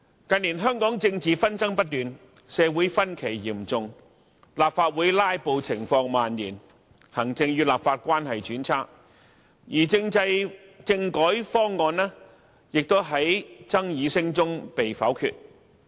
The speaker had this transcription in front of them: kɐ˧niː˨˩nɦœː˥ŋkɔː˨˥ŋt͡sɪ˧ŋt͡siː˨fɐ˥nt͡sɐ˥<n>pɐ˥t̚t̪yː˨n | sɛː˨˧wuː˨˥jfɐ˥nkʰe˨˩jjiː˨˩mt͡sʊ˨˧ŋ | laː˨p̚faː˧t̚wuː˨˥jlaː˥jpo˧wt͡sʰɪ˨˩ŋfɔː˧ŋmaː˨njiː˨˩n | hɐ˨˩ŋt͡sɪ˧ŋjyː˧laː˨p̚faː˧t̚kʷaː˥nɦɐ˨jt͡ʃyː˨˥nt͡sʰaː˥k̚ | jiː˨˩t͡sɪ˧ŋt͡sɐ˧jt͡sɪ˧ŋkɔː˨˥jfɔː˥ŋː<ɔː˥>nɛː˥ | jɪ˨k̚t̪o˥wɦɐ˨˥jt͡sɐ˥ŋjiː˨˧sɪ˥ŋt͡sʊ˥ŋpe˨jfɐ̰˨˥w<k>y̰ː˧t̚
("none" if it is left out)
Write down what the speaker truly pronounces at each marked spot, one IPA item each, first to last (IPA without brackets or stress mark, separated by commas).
ŋ, ɔː˧, kʰ